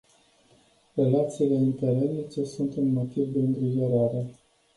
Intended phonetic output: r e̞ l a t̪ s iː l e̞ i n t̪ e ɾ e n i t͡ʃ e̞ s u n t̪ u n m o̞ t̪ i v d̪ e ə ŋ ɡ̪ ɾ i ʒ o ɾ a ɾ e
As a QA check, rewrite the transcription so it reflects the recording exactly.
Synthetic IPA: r e̞ l a t̪ s iː l e̞ i n t̪ e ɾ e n i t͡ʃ e̞ s u n t̪ u n m o̞ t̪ i v d̪ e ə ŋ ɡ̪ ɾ i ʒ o ɾ a ɾ e